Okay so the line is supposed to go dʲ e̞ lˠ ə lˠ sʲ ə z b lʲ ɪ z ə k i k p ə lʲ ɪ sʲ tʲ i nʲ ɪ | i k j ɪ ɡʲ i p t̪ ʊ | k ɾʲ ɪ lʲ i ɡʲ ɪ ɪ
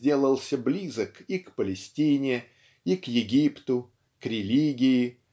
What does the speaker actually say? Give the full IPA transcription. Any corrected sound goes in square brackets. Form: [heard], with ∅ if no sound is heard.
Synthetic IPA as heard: dʲ e̞ lˠ ə lˠ sʲ ə [∅] b lʲ [i] z ə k i k p ə lʲ ɪ sʲ tʲ i nʲ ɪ | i k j ɪ ɡʲ i p t̪ ʊ | k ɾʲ ɪ lʲ i ɡʲ ɪ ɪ